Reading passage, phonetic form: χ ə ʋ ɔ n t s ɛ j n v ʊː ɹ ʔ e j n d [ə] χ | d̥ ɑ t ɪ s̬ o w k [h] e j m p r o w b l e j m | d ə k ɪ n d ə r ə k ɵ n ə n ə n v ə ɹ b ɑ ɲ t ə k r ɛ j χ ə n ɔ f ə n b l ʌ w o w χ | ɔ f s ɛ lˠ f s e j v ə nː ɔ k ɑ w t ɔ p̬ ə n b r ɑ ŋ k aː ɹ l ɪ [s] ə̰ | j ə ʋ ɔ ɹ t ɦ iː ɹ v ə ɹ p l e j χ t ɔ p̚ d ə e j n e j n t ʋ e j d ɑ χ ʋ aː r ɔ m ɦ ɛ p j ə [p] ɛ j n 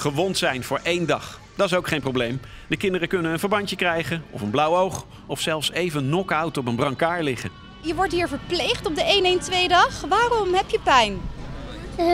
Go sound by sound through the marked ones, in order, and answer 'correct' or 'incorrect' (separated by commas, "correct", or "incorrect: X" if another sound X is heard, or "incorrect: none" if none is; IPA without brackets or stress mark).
incorrect: ɑ, incorrect: χ, incorrect: χ, correct